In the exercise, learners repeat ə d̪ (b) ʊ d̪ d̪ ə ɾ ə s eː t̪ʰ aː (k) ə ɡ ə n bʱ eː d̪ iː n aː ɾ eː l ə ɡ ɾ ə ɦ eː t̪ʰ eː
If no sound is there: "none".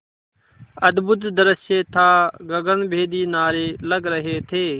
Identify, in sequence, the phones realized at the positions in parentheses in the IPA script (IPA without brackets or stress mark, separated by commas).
b, ɡ